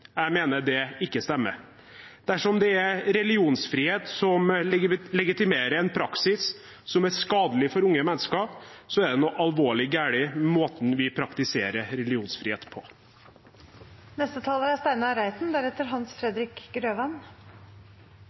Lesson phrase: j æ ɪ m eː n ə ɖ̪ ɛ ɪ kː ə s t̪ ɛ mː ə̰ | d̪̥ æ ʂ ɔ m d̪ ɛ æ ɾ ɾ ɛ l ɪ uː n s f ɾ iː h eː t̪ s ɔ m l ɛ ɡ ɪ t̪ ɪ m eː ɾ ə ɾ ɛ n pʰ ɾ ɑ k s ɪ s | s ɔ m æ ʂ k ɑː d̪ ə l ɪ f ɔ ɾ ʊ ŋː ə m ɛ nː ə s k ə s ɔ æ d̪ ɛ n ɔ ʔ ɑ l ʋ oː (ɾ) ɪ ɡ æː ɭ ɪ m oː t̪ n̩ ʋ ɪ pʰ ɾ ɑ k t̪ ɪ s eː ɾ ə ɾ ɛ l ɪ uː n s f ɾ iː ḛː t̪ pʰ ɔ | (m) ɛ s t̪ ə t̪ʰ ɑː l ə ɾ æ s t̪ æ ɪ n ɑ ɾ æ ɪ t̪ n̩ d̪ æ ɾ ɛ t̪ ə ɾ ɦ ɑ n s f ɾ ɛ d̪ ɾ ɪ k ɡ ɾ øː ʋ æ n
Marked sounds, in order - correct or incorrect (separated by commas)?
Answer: incorrect, incorrect